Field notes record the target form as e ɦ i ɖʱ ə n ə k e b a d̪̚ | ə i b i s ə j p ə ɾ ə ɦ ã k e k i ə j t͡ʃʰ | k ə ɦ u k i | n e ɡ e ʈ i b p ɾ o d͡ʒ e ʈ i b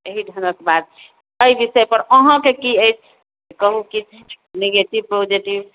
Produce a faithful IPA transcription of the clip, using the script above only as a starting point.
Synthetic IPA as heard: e ɦ i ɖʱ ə n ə k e b a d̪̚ | ə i b i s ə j p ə ɾ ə ɦ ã k e k i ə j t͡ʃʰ | k ə ɦ u k i | n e ɡ e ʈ i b p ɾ o d͡ʒ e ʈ i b